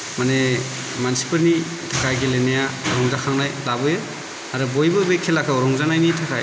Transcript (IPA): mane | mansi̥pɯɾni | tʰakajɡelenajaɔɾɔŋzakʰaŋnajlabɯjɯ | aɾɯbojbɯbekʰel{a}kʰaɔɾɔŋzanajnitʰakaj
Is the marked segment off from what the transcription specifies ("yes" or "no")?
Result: no